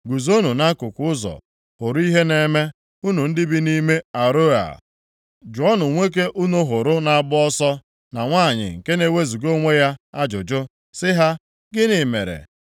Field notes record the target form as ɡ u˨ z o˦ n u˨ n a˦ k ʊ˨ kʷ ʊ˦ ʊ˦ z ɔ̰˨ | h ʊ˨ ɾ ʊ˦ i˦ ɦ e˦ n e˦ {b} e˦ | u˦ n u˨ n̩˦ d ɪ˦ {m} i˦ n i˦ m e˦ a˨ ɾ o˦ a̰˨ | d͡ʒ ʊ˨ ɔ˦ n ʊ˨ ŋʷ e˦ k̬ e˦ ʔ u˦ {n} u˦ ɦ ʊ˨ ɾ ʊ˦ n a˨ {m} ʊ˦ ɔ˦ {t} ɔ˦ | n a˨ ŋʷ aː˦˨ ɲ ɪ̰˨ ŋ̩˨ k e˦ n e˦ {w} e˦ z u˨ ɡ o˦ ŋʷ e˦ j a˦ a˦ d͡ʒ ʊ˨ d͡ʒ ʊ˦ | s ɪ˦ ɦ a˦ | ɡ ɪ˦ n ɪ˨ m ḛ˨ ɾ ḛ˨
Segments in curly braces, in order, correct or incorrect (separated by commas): incorrect, incorrect, correct, incorrect, incorrect, correct